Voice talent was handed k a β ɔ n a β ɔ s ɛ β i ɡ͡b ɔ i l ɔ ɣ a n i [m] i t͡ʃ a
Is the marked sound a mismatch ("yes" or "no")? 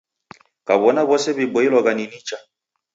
yes